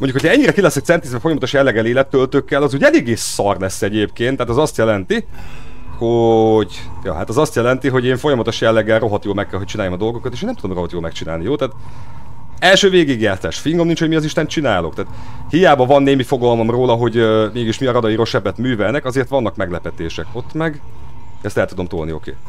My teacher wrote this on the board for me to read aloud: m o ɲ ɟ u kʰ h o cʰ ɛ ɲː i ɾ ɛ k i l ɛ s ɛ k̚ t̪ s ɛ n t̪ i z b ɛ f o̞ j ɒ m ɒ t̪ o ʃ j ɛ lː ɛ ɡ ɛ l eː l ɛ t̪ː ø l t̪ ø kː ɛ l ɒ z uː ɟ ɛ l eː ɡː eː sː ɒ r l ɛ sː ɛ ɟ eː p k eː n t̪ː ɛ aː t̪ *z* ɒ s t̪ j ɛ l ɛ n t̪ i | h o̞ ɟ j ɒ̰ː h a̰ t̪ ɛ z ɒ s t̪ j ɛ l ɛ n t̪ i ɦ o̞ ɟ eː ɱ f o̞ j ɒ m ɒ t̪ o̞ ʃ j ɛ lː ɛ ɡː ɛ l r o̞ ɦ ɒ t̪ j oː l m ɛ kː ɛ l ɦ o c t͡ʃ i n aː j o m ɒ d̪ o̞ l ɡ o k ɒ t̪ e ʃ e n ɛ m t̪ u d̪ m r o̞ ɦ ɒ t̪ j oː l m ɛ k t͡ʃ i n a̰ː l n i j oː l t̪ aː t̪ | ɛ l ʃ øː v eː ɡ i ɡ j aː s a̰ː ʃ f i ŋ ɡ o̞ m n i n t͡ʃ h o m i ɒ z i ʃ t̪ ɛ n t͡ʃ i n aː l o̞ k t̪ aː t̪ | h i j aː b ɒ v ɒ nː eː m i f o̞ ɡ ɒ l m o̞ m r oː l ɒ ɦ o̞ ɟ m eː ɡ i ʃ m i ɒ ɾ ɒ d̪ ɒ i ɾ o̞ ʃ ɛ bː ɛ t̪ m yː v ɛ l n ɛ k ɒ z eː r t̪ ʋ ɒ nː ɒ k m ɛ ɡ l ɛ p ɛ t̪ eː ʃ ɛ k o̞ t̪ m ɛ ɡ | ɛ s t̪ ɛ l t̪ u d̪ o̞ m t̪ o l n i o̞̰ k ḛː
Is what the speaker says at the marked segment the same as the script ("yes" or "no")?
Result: yes